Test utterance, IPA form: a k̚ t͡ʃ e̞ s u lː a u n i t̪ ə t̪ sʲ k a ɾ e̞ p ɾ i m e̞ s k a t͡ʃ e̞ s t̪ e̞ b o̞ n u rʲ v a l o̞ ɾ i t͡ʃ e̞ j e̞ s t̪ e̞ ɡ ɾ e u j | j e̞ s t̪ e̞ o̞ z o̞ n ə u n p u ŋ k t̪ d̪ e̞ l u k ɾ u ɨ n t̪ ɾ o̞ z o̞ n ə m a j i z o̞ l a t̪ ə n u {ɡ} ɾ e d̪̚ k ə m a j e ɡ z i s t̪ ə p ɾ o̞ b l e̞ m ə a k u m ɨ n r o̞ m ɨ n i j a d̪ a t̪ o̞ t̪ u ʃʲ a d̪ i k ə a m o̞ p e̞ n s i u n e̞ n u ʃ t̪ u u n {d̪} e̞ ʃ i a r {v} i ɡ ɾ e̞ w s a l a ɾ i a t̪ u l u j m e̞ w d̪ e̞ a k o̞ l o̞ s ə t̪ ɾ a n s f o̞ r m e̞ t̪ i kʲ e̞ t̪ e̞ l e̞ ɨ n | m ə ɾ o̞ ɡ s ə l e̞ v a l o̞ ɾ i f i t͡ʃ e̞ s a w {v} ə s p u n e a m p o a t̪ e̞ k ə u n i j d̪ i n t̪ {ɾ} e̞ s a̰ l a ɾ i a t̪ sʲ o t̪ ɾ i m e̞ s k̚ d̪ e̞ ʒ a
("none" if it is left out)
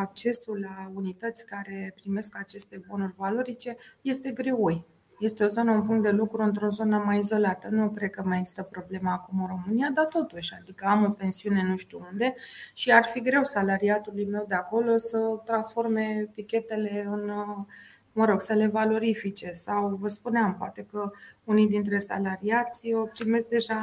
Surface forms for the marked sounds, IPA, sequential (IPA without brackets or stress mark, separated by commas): k, d̪, f, v, ɾ